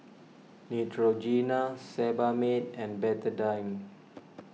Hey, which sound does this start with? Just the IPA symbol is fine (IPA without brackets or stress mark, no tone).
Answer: n